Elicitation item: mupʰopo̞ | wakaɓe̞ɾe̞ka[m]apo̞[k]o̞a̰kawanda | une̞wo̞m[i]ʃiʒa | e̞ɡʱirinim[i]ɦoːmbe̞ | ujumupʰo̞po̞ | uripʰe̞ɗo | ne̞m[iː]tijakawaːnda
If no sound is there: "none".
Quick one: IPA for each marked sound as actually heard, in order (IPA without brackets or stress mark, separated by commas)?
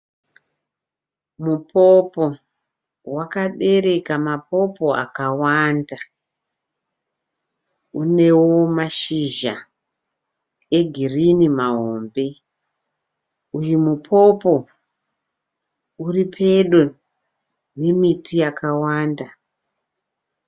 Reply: m, p, a, a, i